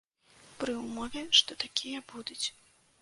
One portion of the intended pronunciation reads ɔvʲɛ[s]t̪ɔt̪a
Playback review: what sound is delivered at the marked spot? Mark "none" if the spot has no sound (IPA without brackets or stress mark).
ʂ